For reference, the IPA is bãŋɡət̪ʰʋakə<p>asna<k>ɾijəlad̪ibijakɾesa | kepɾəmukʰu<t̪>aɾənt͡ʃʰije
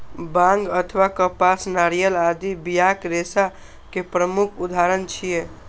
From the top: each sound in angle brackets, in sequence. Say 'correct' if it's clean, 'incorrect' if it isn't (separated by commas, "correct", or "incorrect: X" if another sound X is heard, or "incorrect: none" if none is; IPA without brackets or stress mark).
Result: correct, incorrect: none, incorrect: d̪